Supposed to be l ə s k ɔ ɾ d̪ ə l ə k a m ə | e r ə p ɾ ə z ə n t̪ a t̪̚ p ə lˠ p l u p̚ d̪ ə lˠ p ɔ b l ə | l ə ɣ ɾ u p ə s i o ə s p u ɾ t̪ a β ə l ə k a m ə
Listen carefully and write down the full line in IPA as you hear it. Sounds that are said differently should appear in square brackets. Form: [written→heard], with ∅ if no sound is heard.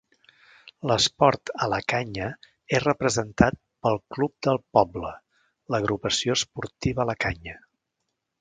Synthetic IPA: l ə s [k→p] ɔ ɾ [d̪→t̪] ə l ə k a [m→ɲ] ə | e r ə p ɾ ə z ə n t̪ a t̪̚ p ə lˠ [p→k] l u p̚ d̪ ə lˠ p ɔ b l ə | l ə ɣ ɾ u p ə s i o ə s p u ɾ t̪ [a→i] β ə l ə k a [m→ɲ] ə